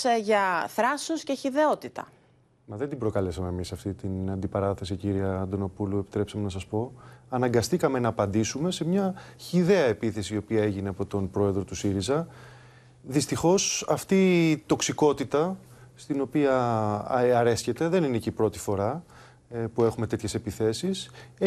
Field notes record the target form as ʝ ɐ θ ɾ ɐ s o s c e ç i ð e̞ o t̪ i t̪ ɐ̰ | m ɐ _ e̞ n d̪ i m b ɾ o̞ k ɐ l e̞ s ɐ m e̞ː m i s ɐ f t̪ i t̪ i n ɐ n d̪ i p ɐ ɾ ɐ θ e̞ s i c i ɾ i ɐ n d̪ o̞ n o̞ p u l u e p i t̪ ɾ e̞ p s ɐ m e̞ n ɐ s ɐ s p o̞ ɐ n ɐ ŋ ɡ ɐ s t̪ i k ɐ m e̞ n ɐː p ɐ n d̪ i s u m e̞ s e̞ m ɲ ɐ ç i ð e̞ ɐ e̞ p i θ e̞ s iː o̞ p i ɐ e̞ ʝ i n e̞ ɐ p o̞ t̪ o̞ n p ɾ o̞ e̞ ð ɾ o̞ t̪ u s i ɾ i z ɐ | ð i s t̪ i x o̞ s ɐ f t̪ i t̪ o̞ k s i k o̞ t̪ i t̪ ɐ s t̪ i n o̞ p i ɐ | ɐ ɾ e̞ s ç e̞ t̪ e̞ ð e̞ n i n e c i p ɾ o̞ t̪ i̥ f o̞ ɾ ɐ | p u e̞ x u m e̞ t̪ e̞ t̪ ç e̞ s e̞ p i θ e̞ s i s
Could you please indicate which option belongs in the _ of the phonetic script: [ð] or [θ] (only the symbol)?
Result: ð